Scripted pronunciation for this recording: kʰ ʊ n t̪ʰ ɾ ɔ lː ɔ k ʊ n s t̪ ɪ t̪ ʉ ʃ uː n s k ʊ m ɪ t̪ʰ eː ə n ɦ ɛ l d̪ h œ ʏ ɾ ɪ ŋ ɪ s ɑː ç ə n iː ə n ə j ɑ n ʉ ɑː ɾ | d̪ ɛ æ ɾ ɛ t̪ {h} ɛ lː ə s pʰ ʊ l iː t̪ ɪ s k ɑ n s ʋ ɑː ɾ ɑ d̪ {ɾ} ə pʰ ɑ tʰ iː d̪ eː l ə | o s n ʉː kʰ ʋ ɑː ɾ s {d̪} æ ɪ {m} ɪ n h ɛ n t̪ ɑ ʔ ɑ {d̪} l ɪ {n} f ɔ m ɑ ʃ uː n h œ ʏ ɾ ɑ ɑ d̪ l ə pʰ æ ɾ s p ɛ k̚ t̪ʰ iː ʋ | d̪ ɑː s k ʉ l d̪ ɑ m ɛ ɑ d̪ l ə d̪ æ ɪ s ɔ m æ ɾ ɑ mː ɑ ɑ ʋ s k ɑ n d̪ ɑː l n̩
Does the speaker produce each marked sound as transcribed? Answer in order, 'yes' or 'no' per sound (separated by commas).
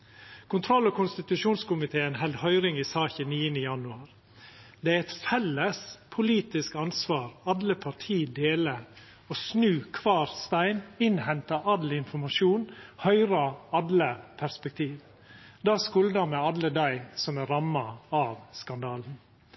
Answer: no, no, no, no, yes, yes